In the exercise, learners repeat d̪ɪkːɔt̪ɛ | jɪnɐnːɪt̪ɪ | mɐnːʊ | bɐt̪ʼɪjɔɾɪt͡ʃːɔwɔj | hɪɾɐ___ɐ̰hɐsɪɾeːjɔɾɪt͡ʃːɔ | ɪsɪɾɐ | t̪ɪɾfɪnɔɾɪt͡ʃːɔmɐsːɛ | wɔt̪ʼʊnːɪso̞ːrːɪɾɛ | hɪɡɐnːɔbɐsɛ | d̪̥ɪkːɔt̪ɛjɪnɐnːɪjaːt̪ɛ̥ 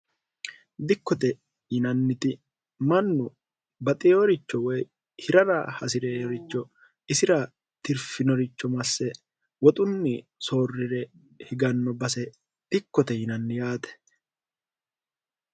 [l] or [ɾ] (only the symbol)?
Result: ɾ